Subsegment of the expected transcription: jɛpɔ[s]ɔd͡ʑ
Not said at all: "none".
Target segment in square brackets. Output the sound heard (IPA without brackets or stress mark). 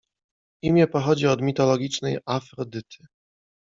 x